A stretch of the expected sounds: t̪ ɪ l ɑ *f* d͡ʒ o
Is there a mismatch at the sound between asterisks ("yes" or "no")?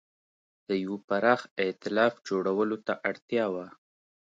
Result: no